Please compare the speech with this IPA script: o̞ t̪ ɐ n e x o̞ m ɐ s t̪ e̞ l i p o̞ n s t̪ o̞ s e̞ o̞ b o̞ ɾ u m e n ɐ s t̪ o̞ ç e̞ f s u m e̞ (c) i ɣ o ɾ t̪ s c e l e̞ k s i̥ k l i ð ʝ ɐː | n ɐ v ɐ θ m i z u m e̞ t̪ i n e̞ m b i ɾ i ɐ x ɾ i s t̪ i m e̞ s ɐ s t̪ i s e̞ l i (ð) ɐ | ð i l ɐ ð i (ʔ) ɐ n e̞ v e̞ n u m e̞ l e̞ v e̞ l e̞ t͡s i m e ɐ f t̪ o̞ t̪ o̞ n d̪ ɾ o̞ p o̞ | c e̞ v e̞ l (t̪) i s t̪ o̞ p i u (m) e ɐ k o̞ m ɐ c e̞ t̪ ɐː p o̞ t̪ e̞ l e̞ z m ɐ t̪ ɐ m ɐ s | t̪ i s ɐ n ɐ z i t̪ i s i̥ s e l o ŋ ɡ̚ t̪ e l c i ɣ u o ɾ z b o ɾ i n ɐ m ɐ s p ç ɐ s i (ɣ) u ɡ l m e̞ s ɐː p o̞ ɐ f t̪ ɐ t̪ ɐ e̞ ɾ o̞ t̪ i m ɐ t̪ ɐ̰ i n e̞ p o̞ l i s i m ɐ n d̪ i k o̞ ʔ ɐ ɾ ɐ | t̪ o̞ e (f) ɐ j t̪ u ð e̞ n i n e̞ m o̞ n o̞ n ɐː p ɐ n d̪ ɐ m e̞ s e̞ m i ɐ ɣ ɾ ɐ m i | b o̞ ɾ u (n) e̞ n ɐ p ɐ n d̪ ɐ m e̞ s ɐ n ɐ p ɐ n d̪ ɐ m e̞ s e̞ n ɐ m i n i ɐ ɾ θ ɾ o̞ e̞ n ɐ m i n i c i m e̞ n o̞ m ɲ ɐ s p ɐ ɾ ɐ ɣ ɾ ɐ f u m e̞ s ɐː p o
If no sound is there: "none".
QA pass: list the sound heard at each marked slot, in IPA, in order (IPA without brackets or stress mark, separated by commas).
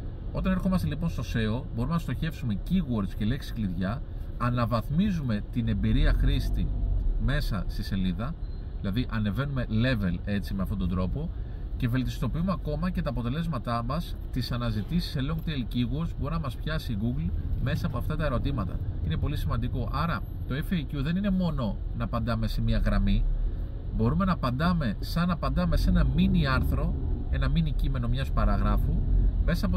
c, ð, ʔ, t̪, m, ɣ, f, m